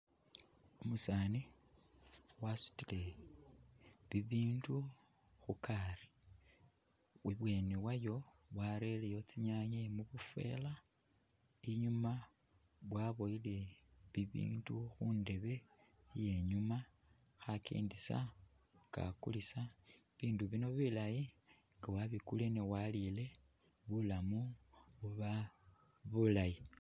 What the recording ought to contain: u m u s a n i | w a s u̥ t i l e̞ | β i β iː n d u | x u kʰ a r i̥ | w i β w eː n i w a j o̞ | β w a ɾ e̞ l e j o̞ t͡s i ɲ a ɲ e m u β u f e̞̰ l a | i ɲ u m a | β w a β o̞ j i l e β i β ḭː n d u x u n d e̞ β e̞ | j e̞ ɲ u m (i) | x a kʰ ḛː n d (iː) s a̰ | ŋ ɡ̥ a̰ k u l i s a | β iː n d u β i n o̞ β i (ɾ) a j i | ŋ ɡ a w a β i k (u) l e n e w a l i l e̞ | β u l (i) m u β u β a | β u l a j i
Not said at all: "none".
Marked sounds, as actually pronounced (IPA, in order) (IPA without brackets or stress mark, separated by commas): a, i, l, u, a